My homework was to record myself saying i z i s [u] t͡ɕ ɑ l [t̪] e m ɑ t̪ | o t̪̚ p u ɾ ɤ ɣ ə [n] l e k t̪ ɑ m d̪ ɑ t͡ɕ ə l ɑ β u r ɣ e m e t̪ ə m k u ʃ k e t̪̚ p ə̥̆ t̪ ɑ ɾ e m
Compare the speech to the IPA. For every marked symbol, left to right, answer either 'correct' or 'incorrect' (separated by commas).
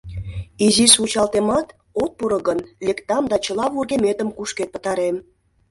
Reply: correct, correct, correct